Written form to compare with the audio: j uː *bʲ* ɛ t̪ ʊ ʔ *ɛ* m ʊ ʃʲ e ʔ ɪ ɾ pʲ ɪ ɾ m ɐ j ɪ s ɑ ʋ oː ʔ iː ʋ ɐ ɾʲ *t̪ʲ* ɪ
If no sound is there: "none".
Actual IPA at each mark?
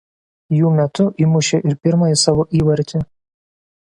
mʲ, i, t̪ʲ

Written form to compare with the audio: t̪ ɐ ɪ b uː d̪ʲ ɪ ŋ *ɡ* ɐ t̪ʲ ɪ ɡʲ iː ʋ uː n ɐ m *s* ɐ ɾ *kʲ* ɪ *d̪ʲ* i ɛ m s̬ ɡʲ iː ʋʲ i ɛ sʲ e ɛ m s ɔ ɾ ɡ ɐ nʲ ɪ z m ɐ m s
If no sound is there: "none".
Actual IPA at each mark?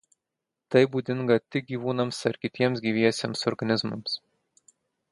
ɡ, s, kʲ, t̪ʲ

